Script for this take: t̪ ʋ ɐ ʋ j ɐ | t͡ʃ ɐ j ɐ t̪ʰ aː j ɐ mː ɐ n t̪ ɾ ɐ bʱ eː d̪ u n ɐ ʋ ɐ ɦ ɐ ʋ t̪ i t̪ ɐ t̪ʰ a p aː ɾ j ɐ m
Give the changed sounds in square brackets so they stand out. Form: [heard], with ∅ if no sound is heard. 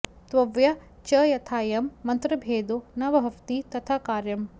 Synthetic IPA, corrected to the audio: t̪ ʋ ɐ ʋ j ɐ | t͡ʃ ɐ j ɐ t̪ʰ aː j ɐ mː ɐ n t̪ ɾ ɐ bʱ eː d̪ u n ɐ ʋ ɐ ɦ ɐ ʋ t̪ i t̪ ɐ t̪ʰ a [k] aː ɾ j ɐ m